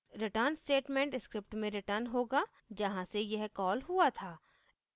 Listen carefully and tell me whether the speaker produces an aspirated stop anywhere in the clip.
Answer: yes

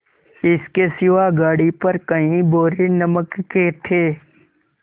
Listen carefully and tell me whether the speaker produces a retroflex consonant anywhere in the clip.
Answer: yes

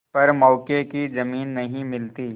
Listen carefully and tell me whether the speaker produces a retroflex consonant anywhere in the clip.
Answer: no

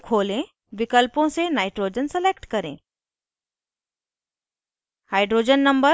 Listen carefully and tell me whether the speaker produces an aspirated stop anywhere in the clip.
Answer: yes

